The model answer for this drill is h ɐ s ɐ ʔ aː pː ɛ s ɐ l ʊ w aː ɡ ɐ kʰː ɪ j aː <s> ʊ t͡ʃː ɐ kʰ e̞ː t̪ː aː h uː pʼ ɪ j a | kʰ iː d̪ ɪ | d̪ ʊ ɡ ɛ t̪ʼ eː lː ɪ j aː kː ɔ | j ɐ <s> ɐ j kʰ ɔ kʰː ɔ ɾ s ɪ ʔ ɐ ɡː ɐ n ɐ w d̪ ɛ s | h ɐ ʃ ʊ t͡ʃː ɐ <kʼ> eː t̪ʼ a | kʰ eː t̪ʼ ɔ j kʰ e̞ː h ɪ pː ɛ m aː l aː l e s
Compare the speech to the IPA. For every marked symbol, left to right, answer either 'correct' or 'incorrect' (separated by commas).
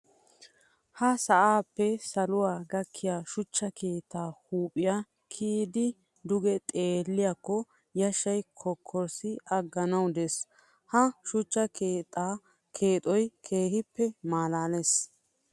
incorrect, incorrect, incorrect